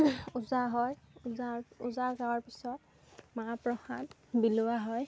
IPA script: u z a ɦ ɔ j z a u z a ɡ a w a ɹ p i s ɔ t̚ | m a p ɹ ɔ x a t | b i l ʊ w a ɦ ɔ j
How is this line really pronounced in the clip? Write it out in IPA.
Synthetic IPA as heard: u z a ɦ ɔ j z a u z a ɡ a w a ɹ p i s ɔ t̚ | m a p ɹ ɔ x a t | b i l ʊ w a ɦ ɔ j